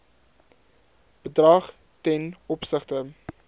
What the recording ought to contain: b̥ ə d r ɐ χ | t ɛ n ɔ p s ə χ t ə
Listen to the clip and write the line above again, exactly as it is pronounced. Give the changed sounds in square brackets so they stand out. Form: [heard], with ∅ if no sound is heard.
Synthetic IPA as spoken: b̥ ə d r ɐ χ | t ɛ n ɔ p s ə χ t ə